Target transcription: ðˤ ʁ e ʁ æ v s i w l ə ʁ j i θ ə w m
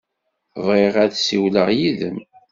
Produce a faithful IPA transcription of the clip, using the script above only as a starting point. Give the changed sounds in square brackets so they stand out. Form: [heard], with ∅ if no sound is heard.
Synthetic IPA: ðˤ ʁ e ʁ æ [ð] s i w l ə ʁ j i [ð] ə [∅] m